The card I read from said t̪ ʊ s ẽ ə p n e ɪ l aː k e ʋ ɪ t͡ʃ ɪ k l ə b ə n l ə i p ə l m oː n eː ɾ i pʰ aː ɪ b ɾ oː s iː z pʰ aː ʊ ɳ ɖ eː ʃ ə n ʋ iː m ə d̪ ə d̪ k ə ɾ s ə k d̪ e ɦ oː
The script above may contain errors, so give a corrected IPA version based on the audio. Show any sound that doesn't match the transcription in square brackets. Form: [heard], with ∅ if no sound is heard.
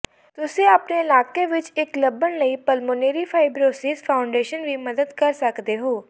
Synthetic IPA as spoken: t̪ ʊ s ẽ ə p n e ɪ l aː k e ʋ ɪ t͡ʃ ɪ k l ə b ə n l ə i p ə l m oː n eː ɾ i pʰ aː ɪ b ɾ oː s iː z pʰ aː ʊ ɳ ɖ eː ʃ ə n ʋ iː m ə d̪ ə d̪ k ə ɾ s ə k d̪ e ɦ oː